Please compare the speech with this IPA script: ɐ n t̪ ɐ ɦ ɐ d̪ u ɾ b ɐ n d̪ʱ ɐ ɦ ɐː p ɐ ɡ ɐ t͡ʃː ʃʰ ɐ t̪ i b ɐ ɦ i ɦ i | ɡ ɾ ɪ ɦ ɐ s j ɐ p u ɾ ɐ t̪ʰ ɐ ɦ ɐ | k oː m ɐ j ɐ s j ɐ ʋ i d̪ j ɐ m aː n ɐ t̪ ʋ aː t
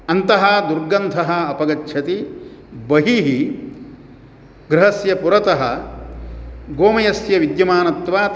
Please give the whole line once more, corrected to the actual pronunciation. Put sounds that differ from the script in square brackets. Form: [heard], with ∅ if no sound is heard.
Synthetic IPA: ɐ n t̪ ɐ ɦ ɐ d̪ u ɾ [ɡ] ɐ n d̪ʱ ɐ ɦ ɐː p ɐ ɡ ɐ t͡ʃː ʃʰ ɐ t̪ i b ɐ ɦ i ɦ i | ɡ ɾ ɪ ɦ ɐ s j ɐ p u ɾ ɐ [t̪] ɐ ɦ ɐ | [ɡ] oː m ɐ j ɐ s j ɐ ʋ i d̪ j ɐ m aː n ɐ t̪ ʋ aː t

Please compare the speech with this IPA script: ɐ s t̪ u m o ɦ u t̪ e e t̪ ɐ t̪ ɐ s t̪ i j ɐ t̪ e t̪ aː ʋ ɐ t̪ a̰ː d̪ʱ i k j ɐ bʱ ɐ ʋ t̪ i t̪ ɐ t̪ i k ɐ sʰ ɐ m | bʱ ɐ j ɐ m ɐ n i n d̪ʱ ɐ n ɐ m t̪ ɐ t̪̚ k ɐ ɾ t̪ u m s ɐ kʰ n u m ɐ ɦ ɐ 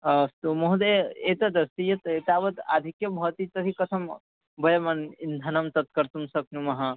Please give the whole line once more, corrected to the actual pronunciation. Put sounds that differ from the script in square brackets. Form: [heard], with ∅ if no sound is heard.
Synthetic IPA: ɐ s t̪ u m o ɦ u [d̪] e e t̪ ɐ [d̪] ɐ s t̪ i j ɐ t̪ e t̪ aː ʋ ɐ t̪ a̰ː d̪ʱ i k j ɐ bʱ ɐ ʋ t̪ i t̪ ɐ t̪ i k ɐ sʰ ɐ m | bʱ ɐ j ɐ m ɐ n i n d̪ʱ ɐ n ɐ m t̪ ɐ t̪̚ k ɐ ɾ t̪ u m s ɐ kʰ n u m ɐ ɦ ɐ

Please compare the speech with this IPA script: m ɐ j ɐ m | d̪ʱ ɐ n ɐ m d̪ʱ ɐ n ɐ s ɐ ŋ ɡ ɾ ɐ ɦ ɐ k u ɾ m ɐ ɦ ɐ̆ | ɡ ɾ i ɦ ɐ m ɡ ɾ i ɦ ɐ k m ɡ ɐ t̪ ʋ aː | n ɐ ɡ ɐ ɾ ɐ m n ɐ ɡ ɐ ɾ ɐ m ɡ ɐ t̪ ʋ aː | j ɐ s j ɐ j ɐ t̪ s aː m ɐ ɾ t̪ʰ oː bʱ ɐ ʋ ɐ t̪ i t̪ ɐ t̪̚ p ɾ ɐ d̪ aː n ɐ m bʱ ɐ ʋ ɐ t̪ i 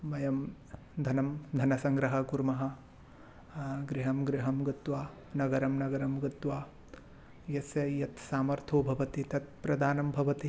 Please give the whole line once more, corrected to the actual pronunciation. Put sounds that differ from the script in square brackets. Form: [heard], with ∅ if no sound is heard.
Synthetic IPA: m ɐ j ɐ m | d̪ʱ ɐ n ɐ m d̪ʱ ɐ n ɐ s ɐ ŋ ɡ ɾ ɐ ɦ ɐ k u ɾ m ɐ ɦ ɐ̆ | ɡ ɾ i ɦ ɐ m ɡ ɾ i ɦ ɐ [∅] m ɡ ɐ t̪ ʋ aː | n ɐ ɡ ɐ ɾ ɐ m n ɐ ɡ ɐ ɾ ɐ m ɡ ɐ t̪ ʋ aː | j ɐ s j ɐ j ɐ t̪ s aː m ɐ ɾ t̪ʰ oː bʱ ɐ ʋ ɐ t̪ i t̪ ɐ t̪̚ p ɾ ɐ d̪ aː n ɐ m bʱ ɐ ʋ ɐ t̪ i

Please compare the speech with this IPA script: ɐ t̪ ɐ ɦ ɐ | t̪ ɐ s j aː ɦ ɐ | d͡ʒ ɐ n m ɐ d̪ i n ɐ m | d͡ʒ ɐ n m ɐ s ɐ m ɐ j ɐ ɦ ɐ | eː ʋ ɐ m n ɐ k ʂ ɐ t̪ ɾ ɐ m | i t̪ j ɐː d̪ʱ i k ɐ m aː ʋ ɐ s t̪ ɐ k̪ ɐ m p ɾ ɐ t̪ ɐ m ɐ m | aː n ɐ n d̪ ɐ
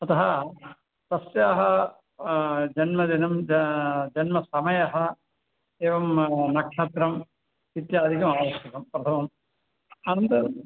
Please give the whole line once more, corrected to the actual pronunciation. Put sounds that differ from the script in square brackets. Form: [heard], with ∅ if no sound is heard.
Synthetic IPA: ɐ t̪ ɐ ɦ ɐ | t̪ ɐ s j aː ɦ ɐ | d͡ʒ ɐ n m ɐ d̪ i n ɐ m | d͡ʒ ɐ n m ɐ s ɐ m ɐ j ɐ ɦ ɐ | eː ʋ ɐ m n ɐ k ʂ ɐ t̪ ɾ ɐ m | i t̪ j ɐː d̪ʱ i k ɐ m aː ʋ ɐ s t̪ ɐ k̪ ɐ m p ɾ ɐ [t̪ʰ] ɐ m ɐ m | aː n ɐ n [t̪] ɐ

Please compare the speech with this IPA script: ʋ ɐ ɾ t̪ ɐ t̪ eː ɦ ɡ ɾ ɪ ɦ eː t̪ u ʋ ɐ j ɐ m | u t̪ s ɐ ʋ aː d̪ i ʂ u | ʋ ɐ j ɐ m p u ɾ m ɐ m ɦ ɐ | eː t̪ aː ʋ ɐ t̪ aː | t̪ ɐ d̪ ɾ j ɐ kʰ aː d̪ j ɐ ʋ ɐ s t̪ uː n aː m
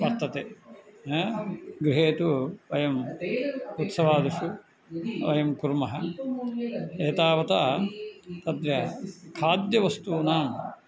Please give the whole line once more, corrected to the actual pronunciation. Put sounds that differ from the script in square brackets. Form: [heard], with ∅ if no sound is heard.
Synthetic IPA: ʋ ɐ ɾ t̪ ɐ t̪ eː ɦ ɡ ɾ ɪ ɦ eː t̪ u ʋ ɐ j ɐ m | u t̪ s ɐ ʋ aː d̪ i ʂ u | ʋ ɐ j ɐ m [k] u ɾ m ɐ [∅] ɦ ɐ | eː t̪ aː ʋ ɐ t̪ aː | t̪ ɐ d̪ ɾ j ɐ kʰ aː d̪ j ɐ ʋ ɐ s t̪ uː n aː m

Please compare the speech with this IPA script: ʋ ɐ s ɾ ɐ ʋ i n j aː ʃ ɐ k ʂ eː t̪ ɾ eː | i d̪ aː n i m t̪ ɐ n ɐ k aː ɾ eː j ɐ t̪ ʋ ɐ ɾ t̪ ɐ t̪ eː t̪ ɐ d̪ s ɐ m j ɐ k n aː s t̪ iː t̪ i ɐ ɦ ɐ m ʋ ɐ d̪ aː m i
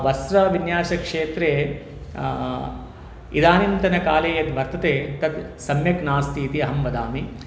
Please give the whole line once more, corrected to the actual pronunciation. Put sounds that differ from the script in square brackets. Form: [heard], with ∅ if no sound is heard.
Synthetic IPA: ʋ ɐ s ɾ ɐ ʋ i n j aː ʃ ɐ k ʂ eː t̪ ɾ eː | i d̪ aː n i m t̪ ɐ n ɐ k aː [l] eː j ɐ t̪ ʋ ɐ ɾ t̪ ɐ t̪ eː t̪ ɐ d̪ s ɐ m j ɐ k n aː s t̪ iː t̪ i ɐ ɦ ɐ m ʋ ɐ d̪ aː m i

